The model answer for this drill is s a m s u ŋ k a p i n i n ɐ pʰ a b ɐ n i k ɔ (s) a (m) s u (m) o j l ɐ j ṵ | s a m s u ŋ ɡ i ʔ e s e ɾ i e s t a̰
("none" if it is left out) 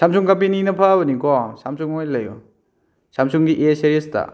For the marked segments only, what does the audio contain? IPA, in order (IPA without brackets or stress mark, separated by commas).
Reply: s, m, ŋ